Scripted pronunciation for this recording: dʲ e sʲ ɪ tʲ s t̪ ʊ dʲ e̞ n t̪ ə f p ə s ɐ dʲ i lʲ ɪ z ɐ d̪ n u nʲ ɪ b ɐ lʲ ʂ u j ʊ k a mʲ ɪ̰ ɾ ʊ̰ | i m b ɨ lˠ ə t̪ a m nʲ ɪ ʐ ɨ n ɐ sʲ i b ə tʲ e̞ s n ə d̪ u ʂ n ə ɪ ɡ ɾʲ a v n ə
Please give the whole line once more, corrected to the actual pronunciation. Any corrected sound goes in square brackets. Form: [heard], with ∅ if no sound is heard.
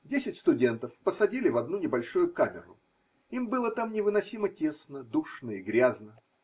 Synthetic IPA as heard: dʲ e sʲ ɪ tʲ s t̪ ʊ dʲ e̞ n t̪ ə f p ə s ɐ dʲ i lʲ ɪ [v] ɐ d̪ n u nʲ ɪ b ɐ lʲ ʂ u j ʊ k a mʲ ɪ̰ ɾ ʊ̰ | i m b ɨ lˠ ə t̪ a m nʲ ɪ [v] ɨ n ɐ sʲ i [m] ə tʲ e̞ s n ə d̪ u ʂ n ə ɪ ɡ ɾʲ a [z] n ə